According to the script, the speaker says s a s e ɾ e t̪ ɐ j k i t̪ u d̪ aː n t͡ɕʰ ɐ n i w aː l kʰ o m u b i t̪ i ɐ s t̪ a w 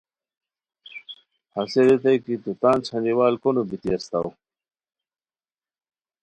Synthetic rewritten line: h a s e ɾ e t̪ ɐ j k i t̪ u t̪ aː n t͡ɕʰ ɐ n i w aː l k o n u b i t̪ i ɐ s t̪ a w